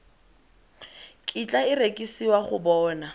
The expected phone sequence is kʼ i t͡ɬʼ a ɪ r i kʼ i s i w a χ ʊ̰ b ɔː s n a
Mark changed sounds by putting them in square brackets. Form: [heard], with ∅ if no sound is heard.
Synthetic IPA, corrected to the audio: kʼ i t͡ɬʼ a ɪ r [e] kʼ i s i w a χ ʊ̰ b ɔː [∅] n a